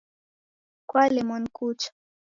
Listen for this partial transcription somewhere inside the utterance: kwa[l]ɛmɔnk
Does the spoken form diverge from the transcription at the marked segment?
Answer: no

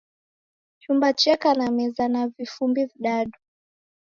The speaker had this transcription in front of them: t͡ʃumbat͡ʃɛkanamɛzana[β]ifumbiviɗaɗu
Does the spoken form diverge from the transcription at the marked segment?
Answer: yes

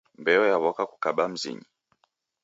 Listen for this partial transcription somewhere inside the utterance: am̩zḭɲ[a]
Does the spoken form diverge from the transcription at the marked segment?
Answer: yes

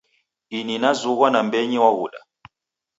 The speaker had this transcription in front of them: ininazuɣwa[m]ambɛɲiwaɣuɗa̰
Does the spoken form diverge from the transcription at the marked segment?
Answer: yes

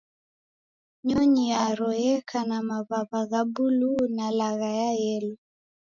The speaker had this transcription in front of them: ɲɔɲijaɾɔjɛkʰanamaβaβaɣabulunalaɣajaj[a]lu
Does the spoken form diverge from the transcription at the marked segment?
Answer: yes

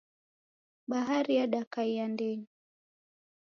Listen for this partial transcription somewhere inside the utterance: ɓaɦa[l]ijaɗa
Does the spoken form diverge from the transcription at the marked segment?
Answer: yes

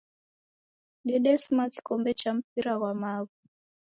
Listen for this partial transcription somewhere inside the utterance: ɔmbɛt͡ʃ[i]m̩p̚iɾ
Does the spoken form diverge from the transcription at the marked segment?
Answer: yes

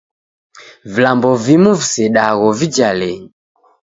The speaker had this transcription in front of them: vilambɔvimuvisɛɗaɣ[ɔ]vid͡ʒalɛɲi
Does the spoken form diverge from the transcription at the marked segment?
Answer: no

